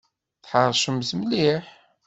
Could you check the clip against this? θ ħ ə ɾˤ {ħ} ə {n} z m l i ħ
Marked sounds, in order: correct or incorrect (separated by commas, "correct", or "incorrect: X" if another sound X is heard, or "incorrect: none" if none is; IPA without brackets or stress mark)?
incorrect: ʃ, incorrect: m